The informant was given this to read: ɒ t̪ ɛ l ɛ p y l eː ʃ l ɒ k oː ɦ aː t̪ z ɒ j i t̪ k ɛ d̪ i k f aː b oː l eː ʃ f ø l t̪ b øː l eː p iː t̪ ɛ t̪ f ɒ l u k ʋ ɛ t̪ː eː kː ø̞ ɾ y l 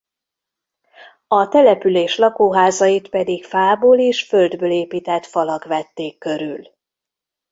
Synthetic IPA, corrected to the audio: ɒ t̪ ɛ l ɛ p y l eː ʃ l ɒ k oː ɦ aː z ɒ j i t̪ p ɛ d̪ i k f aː b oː l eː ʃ f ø l d̪ b øː l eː p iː t̪ ɛ t̪ f ɒ l ɒ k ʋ ɛ t̪ː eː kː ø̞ ɾ y l